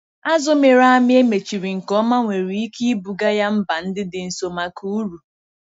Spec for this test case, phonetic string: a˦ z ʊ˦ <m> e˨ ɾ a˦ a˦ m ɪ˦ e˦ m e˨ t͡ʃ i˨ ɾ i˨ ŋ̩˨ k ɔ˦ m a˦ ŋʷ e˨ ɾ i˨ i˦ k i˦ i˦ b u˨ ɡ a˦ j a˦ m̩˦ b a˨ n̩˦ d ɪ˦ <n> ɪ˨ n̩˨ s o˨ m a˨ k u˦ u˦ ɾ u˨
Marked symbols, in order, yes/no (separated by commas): yes, no